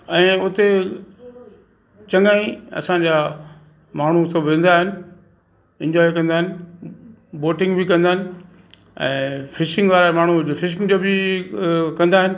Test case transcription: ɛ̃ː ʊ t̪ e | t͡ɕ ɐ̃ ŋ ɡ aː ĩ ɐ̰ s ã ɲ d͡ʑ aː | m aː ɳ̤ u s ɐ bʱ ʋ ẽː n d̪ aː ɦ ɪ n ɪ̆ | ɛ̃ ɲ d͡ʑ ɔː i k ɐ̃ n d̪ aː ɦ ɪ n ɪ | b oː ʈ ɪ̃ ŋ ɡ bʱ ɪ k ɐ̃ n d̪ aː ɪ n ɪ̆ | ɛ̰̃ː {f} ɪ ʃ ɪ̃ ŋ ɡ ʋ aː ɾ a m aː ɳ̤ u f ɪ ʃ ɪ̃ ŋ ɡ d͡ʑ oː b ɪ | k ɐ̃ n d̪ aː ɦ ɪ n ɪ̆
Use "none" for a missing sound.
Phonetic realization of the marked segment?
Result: f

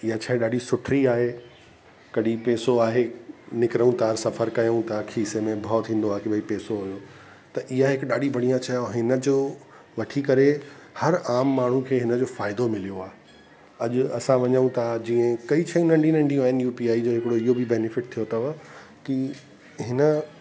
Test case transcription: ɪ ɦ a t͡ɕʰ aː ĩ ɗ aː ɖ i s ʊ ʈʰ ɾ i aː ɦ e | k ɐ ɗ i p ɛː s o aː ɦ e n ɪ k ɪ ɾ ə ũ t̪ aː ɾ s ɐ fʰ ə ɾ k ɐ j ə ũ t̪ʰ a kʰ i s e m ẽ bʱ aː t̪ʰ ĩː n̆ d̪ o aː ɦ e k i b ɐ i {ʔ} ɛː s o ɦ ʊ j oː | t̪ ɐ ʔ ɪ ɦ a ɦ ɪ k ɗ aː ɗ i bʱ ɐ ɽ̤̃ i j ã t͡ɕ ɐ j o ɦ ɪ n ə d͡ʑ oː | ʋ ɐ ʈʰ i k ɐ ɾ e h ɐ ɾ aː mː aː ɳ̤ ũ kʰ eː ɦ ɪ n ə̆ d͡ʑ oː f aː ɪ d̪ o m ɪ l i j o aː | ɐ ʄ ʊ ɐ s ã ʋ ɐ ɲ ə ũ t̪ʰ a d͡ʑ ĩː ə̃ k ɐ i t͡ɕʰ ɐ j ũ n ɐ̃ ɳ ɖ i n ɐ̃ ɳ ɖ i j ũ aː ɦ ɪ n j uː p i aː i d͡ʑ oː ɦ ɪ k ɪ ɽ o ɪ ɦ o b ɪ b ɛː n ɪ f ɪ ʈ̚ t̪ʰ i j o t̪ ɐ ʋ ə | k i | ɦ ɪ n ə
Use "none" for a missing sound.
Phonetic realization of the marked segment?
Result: p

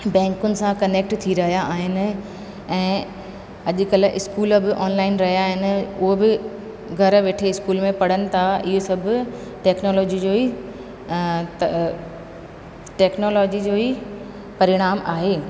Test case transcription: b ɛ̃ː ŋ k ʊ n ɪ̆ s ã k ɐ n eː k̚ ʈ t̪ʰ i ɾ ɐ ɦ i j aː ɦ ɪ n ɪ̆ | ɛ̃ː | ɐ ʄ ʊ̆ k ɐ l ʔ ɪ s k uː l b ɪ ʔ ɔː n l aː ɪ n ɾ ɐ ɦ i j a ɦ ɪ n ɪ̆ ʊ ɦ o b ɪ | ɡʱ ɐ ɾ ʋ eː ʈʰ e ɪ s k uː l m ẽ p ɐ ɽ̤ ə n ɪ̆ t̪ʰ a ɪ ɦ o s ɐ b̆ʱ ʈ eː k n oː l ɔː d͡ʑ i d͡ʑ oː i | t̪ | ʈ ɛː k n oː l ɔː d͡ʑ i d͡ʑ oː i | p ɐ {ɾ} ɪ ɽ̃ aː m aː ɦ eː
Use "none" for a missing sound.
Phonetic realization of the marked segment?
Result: ɾ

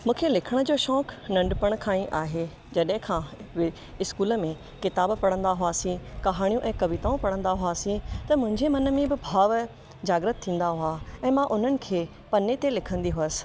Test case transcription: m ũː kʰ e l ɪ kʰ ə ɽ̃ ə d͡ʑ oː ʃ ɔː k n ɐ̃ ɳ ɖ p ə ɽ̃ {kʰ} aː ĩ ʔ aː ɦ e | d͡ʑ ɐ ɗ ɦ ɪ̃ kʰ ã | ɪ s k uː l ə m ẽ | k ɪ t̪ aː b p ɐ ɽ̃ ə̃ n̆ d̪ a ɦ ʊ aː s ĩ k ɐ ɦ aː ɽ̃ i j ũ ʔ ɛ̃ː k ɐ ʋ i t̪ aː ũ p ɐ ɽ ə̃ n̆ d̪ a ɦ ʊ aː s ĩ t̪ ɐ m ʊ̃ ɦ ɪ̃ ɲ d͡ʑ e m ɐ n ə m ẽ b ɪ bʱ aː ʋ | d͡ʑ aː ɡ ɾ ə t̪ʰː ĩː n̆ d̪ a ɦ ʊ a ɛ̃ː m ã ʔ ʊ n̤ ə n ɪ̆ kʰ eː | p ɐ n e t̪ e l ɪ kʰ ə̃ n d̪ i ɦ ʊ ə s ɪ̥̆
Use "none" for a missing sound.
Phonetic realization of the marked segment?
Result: kʰ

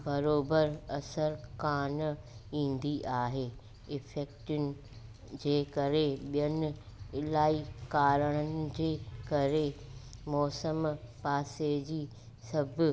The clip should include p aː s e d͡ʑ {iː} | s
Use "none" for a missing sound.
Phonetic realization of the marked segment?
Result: iː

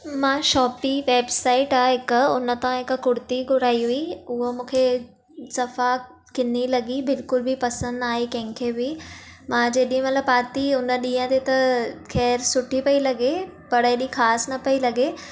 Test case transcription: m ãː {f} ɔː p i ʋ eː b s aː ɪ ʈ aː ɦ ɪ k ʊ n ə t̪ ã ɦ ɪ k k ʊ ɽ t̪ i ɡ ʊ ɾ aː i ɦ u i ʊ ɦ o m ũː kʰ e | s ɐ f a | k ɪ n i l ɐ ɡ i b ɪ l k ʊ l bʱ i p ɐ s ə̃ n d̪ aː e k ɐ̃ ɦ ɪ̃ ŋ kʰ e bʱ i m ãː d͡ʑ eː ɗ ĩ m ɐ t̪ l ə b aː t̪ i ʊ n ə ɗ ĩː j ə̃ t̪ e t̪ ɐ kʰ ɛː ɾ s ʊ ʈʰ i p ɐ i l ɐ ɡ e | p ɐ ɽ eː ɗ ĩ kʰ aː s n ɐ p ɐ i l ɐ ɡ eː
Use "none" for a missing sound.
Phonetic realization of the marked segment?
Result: ʃ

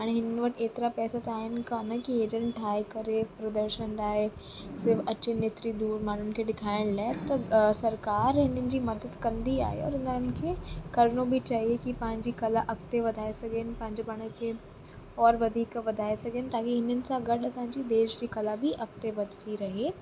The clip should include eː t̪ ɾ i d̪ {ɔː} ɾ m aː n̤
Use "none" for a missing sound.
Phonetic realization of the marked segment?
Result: uː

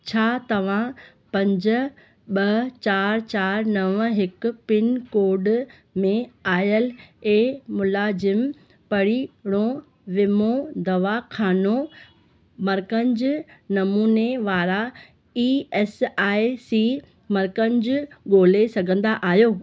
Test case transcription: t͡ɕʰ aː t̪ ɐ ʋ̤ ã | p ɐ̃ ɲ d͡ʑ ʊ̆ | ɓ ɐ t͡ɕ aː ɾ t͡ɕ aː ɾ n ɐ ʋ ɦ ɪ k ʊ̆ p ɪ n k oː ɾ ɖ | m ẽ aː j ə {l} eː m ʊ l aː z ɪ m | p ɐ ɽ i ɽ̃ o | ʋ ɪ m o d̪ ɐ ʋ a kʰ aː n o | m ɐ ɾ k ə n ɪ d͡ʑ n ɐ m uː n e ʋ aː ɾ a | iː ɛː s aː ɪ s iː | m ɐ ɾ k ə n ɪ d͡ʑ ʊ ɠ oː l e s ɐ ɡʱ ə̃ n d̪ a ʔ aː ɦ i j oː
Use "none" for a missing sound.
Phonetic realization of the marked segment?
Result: l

